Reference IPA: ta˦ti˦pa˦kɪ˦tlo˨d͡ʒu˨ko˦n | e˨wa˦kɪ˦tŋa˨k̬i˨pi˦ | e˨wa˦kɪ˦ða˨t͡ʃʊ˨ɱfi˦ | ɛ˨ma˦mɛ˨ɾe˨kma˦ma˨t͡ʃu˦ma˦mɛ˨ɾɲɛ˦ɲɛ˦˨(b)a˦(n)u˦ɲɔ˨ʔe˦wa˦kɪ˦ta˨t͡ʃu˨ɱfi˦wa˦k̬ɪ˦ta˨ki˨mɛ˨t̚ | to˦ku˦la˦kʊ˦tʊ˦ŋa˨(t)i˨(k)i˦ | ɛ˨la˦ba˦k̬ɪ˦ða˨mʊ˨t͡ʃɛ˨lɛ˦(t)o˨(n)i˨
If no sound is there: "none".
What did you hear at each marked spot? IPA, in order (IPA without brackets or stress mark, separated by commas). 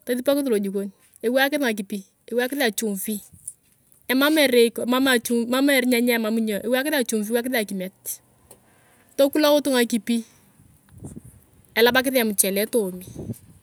m, m, k, p, t, m